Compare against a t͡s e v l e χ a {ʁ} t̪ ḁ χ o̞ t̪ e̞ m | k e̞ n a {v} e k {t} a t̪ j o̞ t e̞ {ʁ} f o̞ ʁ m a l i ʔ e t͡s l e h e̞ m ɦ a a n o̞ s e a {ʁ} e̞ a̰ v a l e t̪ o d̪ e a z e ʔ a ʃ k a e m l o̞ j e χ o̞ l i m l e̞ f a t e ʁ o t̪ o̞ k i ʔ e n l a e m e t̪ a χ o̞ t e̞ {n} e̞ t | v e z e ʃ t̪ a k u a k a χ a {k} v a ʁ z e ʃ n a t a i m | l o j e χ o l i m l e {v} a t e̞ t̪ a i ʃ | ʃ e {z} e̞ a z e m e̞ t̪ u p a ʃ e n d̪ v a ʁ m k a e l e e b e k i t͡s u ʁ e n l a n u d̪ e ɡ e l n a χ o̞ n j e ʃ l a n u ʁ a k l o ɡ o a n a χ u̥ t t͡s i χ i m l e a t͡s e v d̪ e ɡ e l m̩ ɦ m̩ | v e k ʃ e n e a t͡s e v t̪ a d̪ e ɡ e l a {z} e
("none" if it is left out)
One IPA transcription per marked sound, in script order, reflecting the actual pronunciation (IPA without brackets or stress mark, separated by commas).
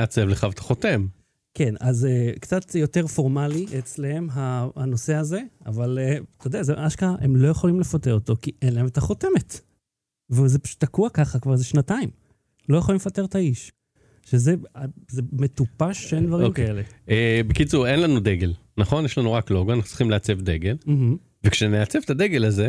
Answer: v, z, t͡s, ʁ, z, m, k, f, z, z